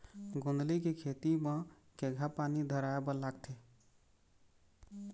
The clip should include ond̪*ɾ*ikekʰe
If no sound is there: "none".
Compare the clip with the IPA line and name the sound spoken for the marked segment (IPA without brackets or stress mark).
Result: l